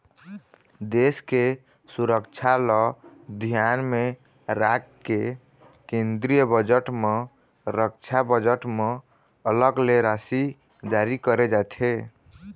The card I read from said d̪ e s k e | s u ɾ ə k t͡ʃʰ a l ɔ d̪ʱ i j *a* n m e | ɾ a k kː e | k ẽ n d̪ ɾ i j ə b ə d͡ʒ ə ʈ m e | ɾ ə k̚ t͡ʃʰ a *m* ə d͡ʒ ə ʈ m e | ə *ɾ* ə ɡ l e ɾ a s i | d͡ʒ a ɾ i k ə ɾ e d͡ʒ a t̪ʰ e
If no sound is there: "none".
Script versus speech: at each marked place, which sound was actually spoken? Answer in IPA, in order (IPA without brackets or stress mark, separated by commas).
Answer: a, b, l